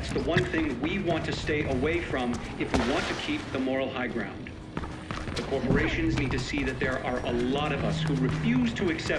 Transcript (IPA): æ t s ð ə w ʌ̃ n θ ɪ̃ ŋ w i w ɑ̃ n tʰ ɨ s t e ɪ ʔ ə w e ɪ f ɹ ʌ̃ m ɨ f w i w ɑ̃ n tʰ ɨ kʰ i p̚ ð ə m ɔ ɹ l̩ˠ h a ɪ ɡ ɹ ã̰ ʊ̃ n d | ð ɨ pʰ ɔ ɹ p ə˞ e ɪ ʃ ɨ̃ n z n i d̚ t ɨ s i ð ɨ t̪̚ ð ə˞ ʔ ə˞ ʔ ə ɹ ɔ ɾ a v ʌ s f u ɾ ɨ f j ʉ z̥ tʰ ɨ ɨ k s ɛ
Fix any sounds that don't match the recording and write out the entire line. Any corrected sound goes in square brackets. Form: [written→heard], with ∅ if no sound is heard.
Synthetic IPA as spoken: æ t s ð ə w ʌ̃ n θ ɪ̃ ŋ w i w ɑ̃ n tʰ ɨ s t e ɪ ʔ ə w e ɪ f ɹ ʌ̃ m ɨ f w i w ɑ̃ n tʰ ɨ kʰ i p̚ ð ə m ɔ ɹ l̩ˠ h a ɪ ɡ ɹ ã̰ ʊ̃ n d | ð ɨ [pʰ→kʰ] ɔ ɹ p ə˞ e ɪ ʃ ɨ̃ n z n i d̚ t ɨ s i ð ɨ t̪̚ ð ə˞ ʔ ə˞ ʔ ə [ɹ→l] ɔ ɾ [a→ʌ] v ʌ s [f→h] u [ɾ→ɹ] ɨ f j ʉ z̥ tʰ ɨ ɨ k s ɛ